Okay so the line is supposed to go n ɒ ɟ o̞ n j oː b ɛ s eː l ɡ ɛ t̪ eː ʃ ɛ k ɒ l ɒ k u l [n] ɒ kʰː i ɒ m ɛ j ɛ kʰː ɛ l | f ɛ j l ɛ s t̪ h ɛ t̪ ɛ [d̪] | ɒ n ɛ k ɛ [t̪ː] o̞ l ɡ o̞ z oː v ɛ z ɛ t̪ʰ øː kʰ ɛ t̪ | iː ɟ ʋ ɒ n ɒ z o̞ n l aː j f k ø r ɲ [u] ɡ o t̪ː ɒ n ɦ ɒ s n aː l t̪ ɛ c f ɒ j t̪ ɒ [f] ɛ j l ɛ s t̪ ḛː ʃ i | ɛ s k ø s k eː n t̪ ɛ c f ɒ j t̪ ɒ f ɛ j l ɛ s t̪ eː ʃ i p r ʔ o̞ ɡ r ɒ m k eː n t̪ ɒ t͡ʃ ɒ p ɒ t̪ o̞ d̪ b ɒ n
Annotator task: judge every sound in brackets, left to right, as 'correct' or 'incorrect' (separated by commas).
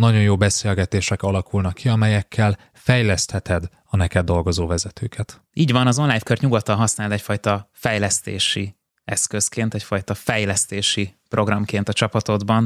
correct, correct, incorrect, correct, correct